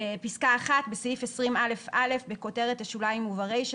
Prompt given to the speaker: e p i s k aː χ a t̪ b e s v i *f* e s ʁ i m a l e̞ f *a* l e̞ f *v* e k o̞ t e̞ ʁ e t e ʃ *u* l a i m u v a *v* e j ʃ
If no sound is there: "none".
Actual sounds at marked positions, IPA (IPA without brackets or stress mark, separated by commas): f, a, b, u, ʁ